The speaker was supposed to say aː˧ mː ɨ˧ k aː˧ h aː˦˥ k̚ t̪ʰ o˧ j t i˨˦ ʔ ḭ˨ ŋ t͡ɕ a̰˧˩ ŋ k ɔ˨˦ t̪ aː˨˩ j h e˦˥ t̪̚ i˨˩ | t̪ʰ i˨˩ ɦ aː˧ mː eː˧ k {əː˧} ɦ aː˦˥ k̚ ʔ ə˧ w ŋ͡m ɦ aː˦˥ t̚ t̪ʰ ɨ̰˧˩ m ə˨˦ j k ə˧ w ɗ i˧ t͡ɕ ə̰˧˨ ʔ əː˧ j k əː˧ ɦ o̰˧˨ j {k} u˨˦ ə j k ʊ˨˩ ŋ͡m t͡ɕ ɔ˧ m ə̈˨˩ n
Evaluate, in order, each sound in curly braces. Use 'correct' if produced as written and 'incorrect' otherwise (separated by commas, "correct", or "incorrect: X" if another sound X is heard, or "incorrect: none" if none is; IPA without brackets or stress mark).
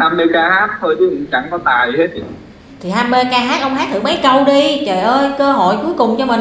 incorrect: aː˧, correct